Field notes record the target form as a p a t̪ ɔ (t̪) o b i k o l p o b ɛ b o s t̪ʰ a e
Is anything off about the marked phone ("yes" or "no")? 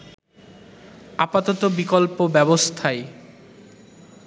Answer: no